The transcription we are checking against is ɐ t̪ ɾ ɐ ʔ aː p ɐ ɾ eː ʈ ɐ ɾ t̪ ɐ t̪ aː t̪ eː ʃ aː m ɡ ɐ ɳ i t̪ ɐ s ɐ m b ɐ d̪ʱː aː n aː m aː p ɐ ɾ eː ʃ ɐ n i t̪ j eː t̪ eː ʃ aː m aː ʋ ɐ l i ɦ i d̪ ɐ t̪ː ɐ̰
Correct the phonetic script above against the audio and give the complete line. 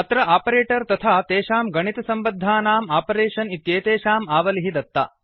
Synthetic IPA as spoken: ɐ t̪ ɾ ɐ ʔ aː p ɐ ɾ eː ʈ ɐ ɾ t̪ ɐ t̪ʰ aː t̪ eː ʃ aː m ɡ ɐ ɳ i t̪ ɐ s ɐ m b ɐ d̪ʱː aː n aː m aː p ɐ ɾ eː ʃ ɐ n i t̪ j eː t̪ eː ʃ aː m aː ʋ ɐ l i ɦ i d̪ ɐ t̪ː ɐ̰